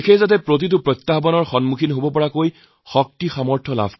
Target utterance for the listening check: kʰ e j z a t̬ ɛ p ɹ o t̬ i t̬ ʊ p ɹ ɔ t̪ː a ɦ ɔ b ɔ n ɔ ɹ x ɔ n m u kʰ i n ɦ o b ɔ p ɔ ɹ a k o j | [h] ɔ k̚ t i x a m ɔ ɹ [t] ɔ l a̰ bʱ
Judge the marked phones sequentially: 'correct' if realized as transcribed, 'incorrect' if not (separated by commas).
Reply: incorrect, incorrect